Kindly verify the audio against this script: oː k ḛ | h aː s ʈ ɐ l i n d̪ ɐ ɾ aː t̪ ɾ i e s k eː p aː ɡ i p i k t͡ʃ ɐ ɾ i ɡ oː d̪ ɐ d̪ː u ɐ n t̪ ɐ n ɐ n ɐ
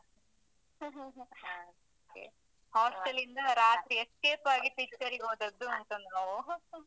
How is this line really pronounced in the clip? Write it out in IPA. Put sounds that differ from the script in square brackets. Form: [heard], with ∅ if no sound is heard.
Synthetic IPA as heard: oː k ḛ | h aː s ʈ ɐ l i n d̪ ɐ ɾ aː t̪ ɾ i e s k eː p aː ɡ i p i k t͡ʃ ɐ ɾ i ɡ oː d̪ ɐ d̪ː u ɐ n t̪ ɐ n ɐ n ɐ